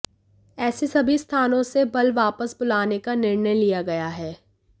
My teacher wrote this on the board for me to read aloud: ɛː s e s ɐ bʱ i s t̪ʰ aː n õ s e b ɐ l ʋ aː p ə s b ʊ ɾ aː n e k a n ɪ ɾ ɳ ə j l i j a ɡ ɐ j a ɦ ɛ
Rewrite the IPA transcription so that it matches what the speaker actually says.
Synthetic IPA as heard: ɛː s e s ɐ bʱ i s t̪ʰ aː n õ s e b ɐ l ʋ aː p ə s b ʊ l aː n e k a n ɪ ɾ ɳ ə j l i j a ɡ ɐ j a ɦ ɛː